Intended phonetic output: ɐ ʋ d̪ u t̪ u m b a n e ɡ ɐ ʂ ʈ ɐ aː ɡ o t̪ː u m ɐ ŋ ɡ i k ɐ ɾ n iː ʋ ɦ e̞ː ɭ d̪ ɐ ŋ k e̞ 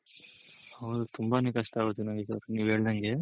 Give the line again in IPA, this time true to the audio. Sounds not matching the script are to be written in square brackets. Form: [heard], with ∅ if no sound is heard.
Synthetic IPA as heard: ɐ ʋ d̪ u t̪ u m b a n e [k] ɐ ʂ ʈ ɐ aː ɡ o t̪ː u [n] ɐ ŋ ɡ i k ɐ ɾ n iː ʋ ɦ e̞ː ɭ d̪ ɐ ŋ [ɡ] e̞